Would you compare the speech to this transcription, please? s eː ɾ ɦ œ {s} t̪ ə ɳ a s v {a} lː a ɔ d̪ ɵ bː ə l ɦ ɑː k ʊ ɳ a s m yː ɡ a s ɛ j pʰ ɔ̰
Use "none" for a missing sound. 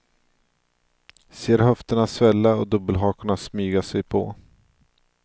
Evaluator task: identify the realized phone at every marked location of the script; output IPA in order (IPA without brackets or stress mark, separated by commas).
f, ɛ